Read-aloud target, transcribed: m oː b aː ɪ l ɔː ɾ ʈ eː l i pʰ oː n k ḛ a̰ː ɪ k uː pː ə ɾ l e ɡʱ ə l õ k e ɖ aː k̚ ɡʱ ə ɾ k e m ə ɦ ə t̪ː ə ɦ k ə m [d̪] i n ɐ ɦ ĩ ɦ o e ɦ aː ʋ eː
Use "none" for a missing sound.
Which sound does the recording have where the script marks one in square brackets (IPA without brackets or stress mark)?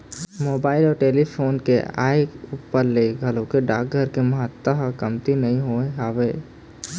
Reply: t̪